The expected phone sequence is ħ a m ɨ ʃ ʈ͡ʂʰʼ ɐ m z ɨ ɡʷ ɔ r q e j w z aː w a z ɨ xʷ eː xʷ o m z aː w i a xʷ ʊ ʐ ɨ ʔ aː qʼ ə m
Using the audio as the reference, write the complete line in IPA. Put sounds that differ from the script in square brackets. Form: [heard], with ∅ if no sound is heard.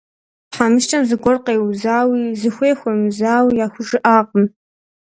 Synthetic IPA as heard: ħ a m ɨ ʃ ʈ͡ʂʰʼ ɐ m z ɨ ɡʷ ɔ r q e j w z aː w [i] z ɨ xʷ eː xʷ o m z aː w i a xʷ ʊ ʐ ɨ ʔ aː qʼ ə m